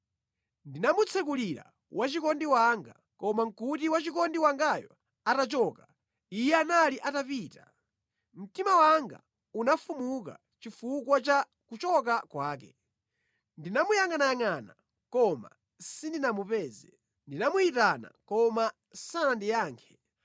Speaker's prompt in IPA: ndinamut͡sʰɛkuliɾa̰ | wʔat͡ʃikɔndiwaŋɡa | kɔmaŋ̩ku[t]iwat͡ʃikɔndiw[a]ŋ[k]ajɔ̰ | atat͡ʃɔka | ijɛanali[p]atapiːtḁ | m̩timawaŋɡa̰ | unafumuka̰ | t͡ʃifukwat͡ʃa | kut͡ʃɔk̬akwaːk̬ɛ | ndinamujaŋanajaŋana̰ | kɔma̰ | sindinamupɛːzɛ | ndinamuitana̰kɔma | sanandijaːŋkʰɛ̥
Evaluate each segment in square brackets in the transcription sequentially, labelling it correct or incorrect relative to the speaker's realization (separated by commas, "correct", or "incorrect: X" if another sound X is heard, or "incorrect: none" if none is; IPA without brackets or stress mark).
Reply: correct, correct, incorrect: ɡ, incorrect: ʔ